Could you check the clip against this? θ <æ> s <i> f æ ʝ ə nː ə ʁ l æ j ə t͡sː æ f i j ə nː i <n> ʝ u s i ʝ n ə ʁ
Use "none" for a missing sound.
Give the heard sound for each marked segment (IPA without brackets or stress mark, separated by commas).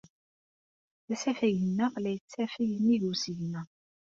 æ, æ, none